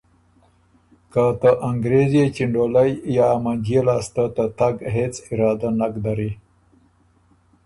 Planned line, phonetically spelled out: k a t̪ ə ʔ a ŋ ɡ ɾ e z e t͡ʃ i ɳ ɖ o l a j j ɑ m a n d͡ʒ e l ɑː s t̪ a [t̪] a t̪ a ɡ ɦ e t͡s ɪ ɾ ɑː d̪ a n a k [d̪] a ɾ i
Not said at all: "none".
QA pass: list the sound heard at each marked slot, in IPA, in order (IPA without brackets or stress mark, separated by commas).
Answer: t̪, d̪